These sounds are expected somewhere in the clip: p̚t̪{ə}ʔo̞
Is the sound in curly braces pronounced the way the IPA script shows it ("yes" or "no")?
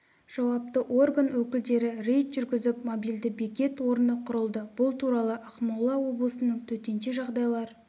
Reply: yes